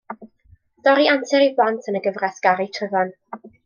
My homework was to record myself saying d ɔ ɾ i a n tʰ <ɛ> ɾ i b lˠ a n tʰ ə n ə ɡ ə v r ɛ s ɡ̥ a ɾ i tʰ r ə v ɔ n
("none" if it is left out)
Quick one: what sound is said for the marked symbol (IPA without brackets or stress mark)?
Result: ɛ